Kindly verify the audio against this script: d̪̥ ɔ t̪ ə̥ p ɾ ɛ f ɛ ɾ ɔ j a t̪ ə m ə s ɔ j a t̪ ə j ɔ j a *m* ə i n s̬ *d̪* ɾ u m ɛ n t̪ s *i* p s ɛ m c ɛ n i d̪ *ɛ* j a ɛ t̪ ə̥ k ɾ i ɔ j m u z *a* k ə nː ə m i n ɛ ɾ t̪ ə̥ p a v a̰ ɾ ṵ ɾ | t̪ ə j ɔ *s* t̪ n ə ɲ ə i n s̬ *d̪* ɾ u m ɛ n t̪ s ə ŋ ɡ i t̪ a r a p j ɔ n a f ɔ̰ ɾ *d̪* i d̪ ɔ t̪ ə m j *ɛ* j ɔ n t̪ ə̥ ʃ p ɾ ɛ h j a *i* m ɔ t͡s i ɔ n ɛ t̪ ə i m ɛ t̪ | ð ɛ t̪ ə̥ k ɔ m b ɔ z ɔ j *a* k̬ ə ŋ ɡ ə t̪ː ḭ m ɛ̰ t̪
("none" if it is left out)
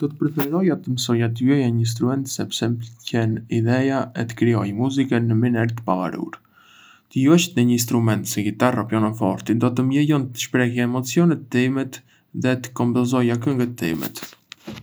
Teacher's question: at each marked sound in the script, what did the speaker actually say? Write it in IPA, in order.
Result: ɲ, t̪, ɛ, ɛ, i, ʃ, t̪, t̪, ɛ, ɛ, a

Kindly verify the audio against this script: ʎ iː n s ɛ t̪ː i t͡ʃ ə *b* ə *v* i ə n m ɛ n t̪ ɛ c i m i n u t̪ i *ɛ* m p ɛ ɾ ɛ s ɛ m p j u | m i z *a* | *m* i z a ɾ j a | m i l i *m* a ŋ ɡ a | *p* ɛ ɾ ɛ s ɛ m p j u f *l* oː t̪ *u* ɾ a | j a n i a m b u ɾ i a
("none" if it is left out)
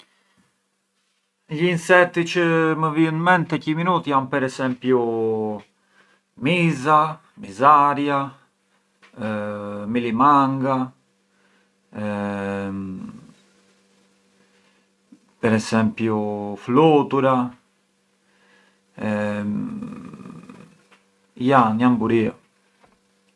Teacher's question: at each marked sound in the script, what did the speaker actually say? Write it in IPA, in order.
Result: m, v, a, a, m, m, p, l, u

